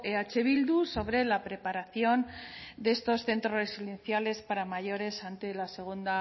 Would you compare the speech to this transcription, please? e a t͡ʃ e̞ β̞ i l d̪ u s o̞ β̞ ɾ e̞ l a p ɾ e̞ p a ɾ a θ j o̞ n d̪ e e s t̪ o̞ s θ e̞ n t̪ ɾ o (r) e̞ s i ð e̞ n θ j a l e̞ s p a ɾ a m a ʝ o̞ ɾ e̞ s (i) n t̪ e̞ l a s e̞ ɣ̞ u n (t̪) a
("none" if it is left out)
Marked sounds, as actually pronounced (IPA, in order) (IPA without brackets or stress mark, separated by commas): r, a, d̪